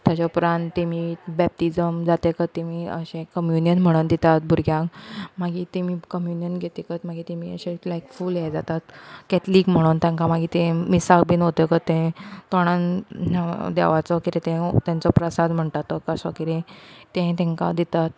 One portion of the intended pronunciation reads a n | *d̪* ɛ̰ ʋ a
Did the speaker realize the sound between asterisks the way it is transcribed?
yes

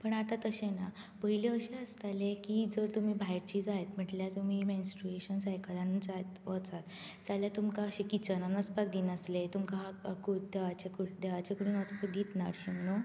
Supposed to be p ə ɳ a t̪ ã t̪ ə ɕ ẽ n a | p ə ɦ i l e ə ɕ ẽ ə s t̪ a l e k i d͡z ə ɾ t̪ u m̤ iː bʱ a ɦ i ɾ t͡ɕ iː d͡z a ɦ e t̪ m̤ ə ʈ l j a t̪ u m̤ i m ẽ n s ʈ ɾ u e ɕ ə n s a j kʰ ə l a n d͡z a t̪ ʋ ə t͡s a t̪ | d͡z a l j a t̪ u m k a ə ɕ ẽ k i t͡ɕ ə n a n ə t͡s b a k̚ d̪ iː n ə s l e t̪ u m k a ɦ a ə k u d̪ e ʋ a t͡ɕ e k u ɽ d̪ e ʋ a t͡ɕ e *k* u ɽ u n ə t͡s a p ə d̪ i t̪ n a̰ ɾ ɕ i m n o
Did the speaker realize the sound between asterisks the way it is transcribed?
yes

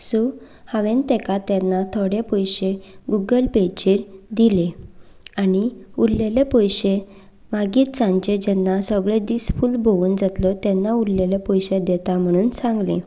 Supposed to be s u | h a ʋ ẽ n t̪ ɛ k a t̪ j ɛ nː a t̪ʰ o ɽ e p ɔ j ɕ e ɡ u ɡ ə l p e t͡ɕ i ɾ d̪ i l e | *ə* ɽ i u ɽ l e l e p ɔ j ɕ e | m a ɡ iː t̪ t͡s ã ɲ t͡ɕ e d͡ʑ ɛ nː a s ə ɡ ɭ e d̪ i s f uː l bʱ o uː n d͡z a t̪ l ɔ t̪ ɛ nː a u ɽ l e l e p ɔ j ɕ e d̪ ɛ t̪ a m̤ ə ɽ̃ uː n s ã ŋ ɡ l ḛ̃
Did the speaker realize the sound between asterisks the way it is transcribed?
no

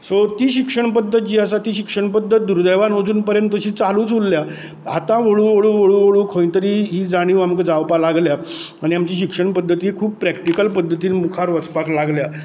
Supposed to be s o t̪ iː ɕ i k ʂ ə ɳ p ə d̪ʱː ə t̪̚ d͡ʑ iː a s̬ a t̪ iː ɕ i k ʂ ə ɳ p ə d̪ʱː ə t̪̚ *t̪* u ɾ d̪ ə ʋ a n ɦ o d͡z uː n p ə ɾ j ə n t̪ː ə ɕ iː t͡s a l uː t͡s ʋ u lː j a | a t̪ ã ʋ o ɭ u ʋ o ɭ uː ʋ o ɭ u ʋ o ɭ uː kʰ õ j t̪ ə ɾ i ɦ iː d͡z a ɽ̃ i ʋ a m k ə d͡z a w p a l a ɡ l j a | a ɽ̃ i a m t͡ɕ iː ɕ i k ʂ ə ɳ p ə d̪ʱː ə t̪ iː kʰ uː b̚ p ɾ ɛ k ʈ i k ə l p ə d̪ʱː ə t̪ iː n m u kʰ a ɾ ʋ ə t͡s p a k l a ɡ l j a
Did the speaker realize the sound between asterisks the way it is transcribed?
no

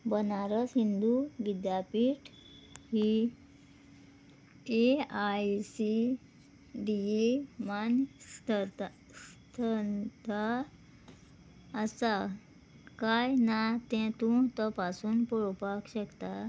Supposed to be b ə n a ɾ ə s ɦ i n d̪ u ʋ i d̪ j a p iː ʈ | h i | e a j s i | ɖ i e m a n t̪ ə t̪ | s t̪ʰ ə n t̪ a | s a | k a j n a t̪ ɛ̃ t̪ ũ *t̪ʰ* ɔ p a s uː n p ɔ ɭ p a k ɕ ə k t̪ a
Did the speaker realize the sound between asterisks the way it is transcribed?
no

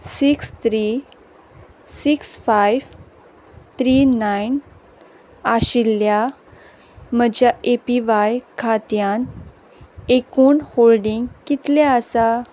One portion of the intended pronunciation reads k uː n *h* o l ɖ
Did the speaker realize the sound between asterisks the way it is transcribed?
yes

